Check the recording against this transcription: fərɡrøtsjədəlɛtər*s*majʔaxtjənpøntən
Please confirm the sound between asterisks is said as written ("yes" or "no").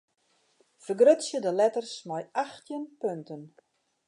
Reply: yes